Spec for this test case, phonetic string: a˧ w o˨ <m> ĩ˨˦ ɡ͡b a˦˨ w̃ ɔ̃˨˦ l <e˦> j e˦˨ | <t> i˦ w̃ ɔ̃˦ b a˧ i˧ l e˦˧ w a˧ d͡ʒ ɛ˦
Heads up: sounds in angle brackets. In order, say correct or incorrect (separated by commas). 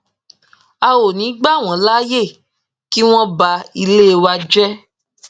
incorrect, incorrect, incorrect